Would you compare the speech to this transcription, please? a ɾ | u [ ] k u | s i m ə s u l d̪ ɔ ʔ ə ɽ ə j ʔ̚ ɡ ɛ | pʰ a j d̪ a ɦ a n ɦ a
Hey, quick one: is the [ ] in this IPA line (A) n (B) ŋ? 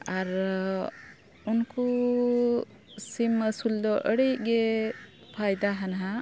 A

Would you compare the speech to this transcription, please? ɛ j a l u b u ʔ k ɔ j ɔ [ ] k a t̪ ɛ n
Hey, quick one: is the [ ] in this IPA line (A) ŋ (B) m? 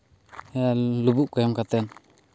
B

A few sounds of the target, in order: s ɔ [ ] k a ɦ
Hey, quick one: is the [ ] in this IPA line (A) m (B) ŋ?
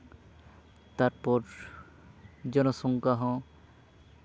B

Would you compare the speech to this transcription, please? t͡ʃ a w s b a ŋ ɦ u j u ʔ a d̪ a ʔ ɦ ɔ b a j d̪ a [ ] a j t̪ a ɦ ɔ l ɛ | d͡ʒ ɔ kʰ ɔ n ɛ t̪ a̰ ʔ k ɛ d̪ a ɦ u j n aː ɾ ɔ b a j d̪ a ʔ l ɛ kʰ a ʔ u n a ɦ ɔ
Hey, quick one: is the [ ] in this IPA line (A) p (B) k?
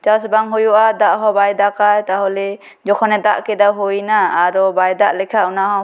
B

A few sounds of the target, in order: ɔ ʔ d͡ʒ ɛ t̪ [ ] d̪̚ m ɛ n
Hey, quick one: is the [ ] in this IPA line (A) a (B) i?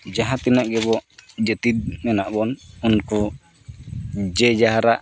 B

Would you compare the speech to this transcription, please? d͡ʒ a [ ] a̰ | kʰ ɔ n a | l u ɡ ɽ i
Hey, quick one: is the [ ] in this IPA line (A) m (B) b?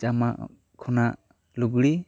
A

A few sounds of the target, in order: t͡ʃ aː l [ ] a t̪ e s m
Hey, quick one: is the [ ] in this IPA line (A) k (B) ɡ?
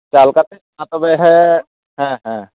A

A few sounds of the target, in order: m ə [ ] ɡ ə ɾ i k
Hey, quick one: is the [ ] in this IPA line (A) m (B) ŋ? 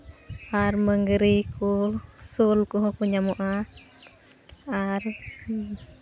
B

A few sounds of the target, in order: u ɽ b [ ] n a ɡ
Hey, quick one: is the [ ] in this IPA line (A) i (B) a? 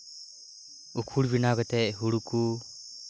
A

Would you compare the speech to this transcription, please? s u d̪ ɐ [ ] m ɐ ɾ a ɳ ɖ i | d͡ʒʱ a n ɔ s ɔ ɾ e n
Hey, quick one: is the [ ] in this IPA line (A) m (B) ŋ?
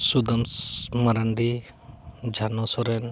A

